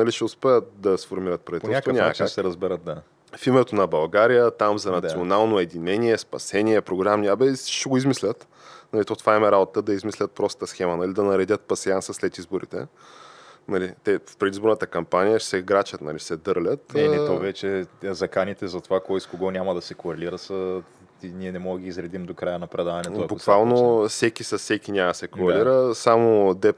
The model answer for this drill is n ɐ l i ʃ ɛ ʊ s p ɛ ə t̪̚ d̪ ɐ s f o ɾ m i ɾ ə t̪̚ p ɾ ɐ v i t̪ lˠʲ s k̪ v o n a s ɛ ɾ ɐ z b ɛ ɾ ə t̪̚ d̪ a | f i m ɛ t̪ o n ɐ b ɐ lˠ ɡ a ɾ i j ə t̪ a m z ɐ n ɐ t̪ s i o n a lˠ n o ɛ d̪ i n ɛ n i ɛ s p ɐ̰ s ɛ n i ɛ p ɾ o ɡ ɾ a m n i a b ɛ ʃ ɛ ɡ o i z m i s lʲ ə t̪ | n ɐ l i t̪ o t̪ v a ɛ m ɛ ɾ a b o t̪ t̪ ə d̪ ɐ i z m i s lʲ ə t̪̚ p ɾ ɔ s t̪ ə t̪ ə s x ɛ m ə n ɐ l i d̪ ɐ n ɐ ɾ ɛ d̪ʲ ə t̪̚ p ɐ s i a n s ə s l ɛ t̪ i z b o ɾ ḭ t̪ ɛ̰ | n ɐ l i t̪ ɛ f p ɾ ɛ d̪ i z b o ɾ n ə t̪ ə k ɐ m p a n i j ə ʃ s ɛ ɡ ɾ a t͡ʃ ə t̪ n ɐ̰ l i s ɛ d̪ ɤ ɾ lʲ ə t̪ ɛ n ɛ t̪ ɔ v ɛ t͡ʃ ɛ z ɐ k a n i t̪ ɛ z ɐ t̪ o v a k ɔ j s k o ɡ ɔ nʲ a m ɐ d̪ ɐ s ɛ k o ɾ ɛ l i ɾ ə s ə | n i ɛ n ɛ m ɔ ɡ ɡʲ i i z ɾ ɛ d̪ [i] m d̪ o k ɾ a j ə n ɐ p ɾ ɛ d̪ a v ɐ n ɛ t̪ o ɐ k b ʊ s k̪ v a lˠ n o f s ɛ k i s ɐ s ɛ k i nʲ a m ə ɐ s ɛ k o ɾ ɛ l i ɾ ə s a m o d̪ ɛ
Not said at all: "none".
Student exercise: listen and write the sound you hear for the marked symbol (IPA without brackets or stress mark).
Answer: i